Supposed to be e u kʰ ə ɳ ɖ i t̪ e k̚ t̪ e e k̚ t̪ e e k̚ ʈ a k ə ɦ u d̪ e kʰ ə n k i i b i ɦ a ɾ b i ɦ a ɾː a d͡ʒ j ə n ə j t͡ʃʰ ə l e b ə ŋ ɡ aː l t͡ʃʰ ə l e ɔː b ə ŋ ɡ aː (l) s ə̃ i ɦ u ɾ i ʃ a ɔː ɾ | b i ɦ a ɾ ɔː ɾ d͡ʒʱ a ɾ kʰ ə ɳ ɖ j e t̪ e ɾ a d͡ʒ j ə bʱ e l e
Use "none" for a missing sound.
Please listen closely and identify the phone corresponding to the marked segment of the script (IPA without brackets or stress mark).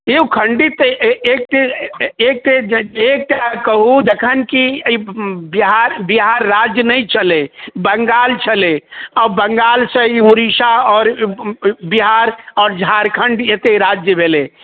l